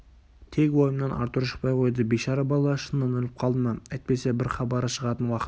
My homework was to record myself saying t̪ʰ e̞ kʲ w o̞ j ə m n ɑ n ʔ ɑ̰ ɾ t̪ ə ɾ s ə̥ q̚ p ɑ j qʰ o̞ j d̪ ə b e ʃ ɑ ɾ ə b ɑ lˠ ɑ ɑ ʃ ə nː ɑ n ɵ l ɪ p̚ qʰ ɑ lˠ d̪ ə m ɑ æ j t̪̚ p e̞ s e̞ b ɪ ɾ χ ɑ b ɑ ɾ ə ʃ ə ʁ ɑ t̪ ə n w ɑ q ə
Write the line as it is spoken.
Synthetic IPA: t̪ʰ e̞ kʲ w o̞ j ə m n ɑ n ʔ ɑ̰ ɾ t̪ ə ɾ ʃ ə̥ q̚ p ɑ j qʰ o̞ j d̪ ə b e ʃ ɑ ɾ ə b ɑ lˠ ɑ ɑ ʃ ə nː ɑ n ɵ l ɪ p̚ qʰ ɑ lˠ d̪ ə m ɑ æ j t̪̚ p e̞ s e̞ b ɪ ɾ χ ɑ b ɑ ɾ ə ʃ ə ʁ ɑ t̪ ə n w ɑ q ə